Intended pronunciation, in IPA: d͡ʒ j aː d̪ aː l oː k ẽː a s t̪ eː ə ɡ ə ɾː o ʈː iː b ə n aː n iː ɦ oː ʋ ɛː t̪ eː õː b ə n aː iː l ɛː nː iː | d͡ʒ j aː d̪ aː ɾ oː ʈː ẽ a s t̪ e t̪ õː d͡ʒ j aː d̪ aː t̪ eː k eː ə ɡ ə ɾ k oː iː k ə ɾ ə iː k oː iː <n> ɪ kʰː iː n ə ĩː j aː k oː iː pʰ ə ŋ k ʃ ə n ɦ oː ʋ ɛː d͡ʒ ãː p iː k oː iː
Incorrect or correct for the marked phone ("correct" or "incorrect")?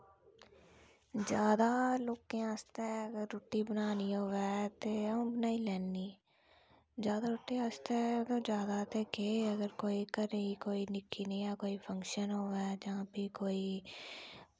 correct